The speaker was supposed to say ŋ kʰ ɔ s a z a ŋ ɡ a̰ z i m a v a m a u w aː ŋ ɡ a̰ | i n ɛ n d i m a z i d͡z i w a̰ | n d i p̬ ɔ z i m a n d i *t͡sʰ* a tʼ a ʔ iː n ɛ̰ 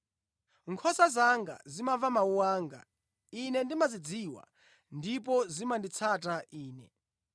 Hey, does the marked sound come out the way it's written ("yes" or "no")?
yes